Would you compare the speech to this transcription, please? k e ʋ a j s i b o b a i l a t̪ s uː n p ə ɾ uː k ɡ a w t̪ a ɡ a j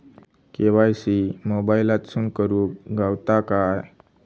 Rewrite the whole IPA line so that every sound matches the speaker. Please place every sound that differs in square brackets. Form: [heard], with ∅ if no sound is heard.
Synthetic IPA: k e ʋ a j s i [m] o b a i l a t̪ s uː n [k] ə ɾ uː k ɡ a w t̪ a [k] a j